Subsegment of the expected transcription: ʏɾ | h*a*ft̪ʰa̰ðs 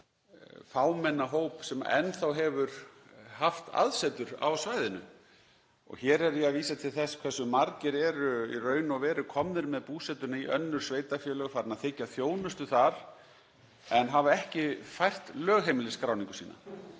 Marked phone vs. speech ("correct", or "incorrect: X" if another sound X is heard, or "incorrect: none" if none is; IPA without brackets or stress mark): correct